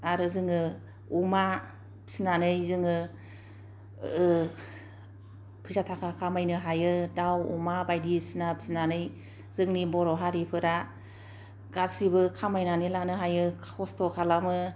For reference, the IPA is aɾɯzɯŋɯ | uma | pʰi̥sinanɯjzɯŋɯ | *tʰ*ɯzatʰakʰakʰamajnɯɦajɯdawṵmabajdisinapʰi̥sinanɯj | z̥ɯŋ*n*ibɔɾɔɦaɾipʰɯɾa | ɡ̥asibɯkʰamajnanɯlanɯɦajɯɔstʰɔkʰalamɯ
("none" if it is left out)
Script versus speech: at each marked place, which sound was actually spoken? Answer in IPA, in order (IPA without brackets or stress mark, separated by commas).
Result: pʰ, n